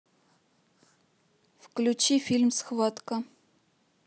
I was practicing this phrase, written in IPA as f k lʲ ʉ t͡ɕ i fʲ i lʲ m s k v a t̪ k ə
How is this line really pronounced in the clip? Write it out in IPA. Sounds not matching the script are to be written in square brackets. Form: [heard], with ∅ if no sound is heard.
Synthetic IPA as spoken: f k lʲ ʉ t͡ɕ i fʲ i lʲ m s [x] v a t̪ k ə